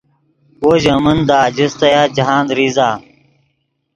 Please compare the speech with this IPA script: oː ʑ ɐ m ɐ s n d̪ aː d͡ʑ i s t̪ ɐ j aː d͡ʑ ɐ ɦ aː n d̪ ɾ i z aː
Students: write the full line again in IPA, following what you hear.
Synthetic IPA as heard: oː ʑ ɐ m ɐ n d̪ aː d͡ʑ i s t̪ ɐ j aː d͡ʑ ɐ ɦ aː n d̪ ɾ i z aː